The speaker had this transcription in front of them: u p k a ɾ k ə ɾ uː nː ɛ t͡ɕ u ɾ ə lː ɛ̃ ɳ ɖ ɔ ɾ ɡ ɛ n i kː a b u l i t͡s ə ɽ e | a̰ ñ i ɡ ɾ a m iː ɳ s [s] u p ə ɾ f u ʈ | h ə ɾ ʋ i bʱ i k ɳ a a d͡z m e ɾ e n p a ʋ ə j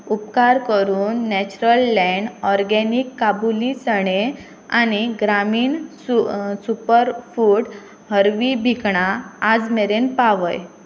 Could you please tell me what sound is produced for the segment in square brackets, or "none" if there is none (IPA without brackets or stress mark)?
s